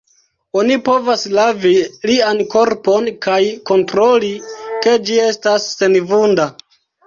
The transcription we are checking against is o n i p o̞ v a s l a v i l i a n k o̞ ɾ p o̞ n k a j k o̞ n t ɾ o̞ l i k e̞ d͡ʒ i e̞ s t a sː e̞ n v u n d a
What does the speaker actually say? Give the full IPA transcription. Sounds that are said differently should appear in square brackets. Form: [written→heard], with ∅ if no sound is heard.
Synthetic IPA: o n i p o̞ v a s l a v i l i a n k o̞ ɾ p o̞ n k a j k o̞ n t ɾ o̞ l i k e̞ d͡ʒ i e̞ s t a sː e̞ n v u n d a